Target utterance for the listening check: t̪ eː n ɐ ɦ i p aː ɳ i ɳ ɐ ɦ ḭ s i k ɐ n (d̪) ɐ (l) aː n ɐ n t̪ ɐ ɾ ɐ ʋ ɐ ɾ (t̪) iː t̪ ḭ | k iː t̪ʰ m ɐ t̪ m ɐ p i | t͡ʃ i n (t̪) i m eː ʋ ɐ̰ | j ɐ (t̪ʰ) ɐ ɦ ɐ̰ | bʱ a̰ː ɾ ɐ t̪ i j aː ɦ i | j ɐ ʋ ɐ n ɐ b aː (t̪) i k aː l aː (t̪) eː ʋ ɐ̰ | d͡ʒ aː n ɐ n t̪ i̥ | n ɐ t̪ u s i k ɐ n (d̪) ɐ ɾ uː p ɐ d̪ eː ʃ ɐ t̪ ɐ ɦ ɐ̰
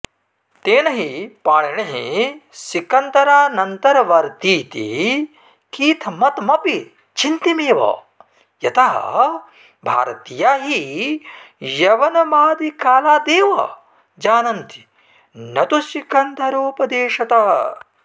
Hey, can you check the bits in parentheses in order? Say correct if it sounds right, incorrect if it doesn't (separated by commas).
incorrect, incorrect, correct, correct, incorrect, incorrect, incorrect, incorrect